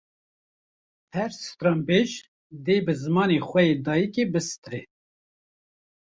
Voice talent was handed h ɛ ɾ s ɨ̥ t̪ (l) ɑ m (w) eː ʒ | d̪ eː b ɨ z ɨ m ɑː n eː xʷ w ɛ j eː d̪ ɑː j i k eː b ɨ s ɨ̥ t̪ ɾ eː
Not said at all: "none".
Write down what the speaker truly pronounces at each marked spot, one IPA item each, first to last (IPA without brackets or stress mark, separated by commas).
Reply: ɾ, b